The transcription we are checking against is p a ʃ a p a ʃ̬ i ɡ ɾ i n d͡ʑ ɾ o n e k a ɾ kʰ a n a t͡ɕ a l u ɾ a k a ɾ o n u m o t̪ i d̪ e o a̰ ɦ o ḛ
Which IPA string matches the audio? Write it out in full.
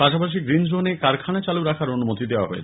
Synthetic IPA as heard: p a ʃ a p a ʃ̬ i ɡ ɾ i n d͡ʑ ɾ o n e k a ɾ kʰ a n a t͡ɕ a l u ɾ a kʰ a ɾ o n u m o t̪ i d̪ e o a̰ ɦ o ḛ